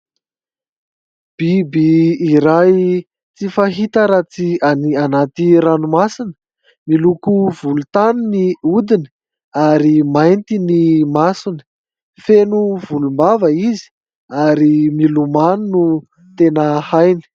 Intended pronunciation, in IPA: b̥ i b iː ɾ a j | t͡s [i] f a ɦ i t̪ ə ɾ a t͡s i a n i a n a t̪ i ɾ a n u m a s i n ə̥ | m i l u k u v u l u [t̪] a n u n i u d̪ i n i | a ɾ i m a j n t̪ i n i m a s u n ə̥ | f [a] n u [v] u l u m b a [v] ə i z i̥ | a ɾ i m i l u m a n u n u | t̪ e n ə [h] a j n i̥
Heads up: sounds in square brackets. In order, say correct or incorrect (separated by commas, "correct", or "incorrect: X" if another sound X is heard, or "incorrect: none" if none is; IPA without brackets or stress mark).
correct, correct, incorrect: e, correct, correct, correct